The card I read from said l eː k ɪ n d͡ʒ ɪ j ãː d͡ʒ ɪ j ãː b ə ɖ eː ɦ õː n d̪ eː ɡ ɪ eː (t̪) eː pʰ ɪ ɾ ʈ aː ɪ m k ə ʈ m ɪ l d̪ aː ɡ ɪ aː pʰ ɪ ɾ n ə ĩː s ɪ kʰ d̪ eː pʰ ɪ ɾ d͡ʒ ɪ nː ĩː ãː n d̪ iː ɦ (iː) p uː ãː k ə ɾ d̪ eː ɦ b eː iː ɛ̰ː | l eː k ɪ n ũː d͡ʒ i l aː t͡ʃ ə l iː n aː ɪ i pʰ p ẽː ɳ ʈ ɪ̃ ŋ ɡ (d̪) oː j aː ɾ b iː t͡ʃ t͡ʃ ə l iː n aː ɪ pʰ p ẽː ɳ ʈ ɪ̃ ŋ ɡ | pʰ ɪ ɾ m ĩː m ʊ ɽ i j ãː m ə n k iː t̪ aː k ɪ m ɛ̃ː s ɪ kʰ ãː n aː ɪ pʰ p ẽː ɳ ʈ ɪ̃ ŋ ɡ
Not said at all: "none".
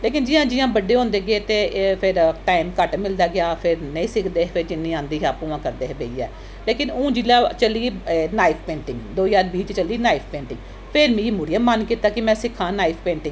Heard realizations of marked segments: t̪, aː, d̪

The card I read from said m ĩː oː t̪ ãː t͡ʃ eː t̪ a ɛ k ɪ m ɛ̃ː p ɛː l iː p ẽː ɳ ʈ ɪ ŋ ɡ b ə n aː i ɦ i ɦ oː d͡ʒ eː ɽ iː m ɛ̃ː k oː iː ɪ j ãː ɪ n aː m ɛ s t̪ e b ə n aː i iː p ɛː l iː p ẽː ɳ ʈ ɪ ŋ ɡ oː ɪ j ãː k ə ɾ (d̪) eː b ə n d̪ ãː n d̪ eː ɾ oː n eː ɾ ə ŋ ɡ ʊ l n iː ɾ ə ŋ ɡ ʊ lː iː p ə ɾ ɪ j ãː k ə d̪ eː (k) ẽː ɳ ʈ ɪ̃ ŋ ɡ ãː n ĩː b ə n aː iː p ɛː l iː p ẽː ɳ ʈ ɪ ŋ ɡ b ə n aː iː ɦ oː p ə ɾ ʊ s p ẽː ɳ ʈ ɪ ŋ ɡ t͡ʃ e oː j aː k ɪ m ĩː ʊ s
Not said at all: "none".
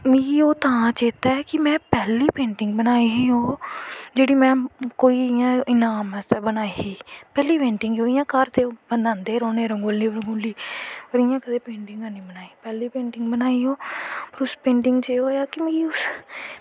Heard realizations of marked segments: t̪, p

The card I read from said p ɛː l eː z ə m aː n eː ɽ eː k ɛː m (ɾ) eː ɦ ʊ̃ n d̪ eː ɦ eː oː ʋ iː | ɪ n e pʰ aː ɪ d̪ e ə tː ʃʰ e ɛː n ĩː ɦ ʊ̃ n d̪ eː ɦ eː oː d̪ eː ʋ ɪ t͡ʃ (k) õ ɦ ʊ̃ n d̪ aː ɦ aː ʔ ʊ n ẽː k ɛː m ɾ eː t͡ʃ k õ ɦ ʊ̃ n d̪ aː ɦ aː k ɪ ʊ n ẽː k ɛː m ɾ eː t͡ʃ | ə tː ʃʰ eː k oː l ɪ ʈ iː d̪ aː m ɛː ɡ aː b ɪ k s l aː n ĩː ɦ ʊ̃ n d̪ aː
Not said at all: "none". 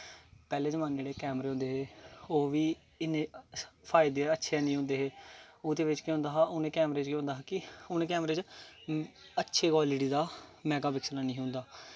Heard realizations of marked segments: ɾ, k

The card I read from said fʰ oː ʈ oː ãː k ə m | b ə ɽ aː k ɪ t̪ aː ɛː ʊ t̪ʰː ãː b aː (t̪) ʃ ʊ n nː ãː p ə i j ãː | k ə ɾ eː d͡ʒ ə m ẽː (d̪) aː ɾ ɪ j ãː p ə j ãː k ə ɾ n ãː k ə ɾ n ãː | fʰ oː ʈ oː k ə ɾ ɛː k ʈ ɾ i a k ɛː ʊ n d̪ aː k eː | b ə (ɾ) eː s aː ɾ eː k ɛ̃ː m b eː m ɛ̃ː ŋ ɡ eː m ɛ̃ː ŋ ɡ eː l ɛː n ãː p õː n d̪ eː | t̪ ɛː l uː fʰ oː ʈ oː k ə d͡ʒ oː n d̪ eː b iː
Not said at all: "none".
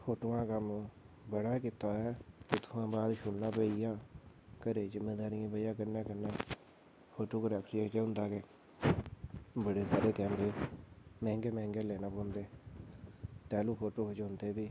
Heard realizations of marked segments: d̪, d̪, ɽ

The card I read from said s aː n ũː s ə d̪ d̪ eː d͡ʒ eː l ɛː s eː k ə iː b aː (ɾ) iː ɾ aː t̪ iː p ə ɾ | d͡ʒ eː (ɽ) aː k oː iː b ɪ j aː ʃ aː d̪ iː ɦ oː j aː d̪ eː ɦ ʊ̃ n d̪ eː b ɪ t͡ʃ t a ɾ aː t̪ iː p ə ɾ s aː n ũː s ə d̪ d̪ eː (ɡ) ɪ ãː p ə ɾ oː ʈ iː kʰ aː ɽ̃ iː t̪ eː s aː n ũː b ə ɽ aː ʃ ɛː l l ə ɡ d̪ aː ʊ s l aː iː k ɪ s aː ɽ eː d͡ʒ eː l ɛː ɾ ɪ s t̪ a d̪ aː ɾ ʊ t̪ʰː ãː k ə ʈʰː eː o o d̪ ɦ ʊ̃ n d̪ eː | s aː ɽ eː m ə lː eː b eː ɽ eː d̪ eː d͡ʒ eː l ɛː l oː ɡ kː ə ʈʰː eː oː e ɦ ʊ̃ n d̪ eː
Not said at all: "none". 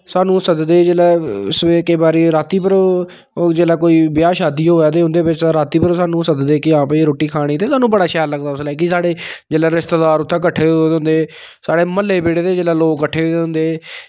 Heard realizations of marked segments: ɾ, l, k

